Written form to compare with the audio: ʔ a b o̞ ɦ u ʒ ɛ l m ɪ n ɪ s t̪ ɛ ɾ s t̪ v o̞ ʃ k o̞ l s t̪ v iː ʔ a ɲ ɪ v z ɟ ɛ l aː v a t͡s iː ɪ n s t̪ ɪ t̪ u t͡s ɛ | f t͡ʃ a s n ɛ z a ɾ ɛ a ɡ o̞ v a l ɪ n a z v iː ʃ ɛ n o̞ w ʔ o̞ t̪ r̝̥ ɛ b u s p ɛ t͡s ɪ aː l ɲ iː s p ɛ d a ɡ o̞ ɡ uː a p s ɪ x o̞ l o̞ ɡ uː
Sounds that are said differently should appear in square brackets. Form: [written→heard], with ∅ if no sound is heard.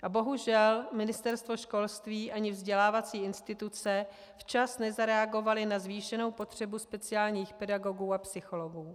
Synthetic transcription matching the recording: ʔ a b o̞ ɦ u ʒ ɛ l m ɪ n ɪ s t̪ ɛ ɾ s t̪ v o̞ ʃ k o̞ l s t̪ v iː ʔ a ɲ ɪ v z ɟ ɛ l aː v a t͡s iː ɪ n s t̪ ɪ t̪ u t͡s ɛ | f t͡ʃ a s n ɛ z a ɾ ɛ a ɡ o̞ v a l ɪ n a z v iː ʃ ɛ n o̞ w [ʔ→p] o̞ t̪ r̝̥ ɛ b u s p ɛ t͡s ɪ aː l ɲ iː [s→x] p ɛ d a ɡ o̞ ɡ uː a p s ɪ x o̞ l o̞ ɡ uː